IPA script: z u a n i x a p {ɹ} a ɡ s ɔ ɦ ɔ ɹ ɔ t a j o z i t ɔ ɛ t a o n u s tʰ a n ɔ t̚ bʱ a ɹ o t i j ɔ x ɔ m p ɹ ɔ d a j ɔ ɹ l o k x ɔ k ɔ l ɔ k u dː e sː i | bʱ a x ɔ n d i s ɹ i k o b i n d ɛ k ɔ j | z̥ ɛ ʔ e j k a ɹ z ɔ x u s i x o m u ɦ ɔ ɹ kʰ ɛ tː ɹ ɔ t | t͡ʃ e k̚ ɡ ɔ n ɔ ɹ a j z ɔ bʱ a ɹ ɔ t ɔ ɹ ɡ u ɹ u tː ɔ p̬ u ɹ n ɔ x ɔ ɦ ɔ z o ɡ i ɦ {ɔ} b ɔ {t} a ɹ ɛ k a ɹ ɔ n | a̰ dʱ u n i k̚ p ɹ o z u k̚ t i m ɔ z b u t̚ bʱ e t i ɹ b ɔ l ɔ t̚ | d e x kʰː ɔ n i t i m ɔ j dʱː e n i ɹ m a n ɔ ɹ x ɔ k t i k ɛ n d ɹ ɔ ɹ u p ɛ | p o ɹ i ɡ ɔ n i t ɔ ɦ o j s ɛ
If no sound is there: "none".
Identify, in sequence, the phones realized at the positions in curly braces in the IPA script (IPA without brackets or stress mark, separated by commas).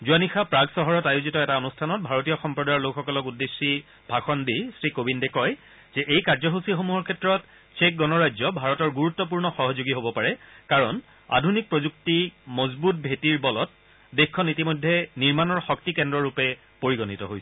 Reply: ɹ, o, p